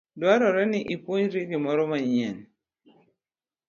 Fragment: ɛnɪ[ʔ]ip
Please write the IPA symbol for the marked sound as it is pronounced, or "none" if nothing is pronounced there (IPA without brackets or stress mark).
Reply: ʔ